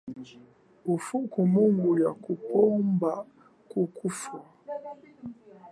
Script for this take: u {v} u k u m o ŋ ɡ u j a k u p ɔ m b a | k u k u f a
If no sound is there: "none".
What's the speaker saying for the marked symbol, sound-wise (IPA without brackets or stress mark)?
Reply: f